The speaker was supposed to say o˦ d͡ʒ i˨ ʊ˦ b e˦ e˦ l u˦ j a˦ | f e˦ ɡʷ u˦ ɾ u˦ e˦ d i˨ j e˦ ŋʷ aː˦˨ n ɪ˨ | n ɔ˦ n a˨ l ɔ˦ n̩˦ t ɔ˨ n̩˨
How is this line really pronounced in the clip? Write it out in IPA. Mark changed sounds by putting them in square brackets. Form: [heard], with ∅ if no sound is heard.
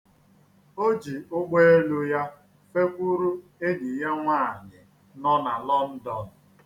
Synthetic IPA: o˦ d͡ʒ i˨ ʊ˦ [ɡ͡b] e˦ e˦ l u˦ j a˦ | f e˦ [kʷ] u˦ ɾ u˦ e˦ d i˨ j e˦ ŋʷ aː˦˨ [ɲ] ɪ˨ | n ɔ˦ n a˨ l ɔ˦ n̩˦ [d] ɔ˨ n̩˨